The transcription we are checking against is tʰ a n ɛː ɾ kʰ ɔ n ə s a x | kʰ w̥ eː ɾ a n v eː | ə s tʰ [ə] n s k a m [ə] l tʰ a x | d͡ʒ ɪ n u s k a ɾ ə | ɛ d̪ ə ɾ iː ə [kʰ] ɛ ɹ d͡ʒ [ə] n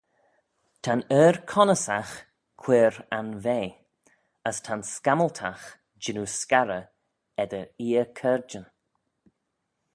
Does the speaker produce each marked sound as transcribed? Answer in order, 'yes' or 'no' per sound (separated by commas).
no, yes, yes, yes